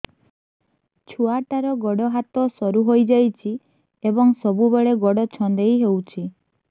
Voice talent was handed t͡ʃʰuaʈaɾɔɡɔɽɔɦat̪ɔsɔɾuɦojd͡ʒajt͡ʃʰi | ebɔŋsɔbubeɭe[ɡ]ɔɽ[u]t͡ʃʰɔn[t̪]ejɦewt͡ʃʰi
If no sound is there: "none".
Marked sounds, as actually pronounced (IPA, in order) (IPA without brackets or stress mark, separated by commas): ɡ, ɔ, d̪